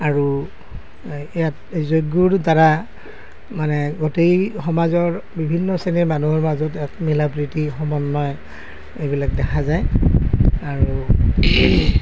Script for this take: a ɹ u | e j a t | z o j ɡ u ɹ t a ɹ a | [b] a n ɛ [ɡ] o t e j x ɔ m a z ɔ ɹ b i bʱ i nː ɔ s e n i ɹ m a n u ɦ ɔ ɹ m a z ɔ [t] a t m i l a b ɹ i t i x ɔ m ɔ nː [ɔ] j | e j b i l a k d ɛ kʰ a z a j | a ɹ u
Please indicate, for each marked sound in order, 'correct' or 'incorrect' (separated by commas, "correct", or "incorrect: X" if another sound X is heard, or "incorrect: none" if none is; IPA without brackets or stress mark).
incorrect: m, correct, correct, correct